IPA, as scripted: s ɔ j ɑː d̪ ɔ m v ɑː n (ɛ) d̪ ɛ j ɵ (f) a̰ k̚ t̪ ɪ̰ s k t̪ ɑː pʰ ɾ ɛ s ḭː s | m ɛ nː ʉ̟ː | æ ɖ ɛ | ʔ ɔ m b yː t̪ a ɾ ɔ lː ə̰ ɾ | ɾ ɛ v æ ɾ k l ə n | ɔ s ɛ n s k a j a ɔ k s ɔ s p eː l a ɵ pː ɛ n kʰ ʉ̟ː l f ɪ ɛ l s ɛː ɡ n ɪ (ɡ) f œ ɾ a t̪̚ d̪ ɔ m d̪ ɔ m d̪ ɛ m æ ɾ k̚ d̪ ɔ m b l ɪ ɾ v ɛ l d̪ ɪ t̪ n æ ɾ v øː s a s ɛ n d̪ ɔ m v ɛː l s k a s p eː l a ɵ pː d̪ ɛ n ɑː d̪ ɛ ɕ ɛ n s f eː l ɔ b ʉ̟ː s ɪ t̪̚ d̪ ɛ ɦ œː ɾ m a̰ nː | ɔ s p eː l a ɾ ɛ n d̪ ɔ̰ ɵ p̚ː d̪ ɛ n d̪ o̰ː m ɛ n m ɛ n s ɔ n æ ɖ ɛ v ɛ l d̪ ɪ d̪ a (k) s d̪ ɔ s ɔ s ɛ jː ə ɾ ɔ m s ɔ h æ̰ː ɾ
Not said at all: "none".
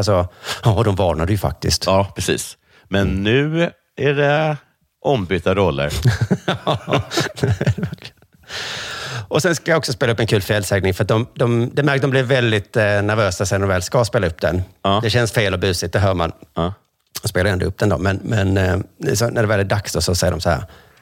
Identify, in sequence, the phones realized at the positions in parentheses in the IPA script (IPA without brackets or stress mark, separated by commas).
a, f, ŋ, k